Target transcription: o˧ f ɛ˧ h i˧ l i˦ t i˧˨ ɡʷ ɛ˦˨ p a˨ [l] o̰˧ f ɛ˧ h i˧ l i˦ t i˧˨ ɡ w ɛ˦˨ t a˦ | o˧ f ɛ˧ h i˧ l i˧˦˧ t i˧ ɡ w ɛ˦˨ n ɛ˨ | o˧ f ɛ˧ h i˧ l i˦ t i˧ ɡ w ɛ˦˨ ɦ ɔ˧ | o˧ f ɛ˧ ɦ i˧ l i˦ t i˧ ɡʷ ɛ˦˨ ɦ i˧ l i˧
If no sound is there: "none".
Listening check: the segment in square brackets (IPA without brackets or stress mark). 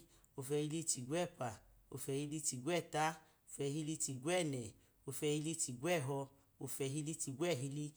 none